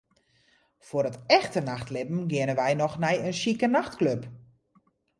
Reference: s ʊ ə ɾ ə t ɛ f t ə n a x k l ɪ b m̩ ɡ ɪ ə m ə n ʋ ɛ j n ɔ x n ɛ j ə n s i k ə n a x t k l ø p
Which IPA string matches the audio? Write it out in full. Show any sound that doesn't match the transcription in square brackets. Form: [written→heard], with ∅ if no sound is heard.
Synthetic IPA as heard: [s→f] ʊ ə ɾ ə t ɛ [f→x] t ə n a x [k→t] l ɪ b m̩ ɡ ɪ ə [m→n] ə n ʋ ɛ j n ɔ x n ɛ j ə n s i k ə n a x t k l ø p